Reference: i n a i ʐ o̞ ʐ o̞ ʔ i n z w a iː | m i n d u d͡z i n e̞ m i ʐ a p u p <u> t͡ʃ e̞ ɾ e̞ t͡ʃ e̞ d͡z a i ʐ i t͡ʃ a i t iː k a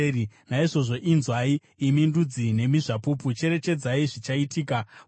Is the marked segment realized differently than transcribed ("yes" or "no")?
no